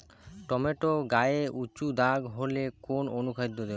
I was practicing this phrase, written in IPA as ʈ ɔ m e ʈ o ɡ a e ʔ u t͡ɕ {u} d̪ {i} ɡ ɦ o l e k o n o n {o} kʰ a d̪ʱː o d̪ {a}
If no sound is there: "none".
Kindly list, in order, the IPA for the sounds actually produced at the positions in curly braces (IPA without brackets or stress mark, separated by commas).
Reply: u, a, u, e